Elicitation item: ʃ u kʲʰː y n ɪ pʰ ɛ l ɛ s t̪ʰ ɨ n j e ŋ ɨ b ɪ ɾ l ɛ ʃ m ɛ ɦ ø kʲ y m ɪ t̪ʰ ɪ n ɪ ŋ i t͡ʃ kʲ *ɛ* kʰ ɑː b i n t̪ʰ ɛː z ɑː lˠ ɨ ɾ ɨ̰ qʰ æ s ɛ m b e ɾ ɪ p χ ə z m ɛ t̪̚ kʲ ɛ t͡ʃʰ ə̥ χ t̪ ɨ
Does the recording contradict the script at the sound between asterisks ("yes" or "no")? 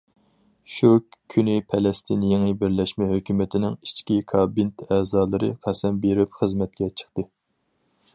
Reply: yes